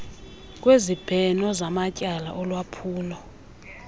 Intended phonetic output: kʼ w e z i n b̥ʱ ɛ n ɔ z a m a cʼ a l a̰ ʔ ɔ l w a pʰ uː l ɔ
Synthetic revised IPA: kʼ w e z i b̥ʱ ɛ n ɔ z a m a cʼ a l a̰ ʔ ɔ l w a pʰ uː l ɔ